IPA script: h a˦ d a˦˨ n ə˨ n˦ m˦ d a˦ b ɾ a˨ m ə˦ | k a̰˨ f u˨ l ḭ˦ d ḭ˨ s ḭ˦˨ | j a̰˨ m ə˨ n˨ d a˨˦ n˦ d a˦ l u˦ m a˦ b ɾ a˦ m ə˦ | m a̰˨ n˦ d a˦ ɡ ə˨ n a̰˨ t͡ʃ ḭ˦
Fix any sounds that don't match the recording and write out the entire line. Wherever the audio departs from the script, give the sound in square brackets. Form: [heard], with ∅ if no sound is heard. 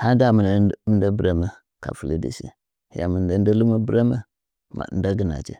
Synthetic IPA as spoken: h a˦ d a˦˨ [m] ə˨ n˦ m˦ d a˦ b ɾ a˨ m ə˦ | k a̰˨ f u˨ l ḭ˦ d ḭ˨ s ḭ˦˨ | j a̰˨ m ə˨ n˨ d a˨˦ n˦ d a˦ l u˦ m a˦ b ɾ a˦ m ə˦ | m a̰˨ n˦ d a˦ ɡ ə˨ n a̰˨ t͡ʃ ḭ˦